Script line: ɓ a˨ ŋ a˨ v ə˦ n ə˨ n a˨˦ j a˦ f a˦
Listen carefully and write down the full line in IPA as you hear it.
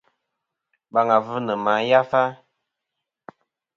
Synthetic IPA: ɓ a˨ ŋ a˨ v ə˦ n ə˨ m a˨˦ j a˦ f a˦